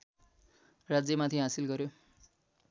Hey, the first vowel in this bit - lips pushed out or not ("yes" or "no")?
no